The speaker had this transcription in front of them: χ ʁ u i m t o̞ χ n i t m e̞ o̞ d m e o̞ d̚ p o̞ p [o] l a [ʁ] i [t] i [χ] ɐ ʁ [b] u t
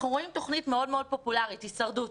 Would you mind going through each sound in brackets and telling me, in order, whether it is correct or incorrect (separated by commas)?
incorrect, correct, correct, incorrect, incorrect